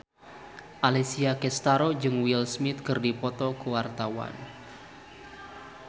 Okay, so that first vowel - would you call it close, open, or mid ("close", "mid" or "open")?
open